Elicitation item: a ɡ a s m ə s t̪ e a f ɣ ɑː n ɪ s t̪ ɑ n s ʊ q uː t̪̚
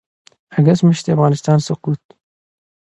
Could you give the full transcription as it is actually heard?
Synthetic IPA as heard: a ɡ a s m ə ʃ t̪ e a f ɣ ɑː n ɪ s t̪ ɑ n s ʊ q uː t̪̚